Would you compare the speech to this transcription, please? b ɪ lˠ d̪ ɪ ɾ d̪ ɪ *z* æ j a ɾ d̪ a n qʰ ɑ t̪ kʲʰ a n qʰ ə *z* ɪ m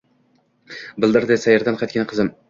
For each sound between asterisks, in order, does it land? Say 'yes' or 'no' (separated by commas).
no, yes